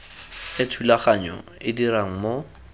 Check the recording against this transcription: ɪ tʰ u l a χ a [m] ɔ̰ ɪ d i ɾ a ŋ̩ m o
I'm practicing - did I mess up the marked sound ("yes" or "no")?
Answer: yes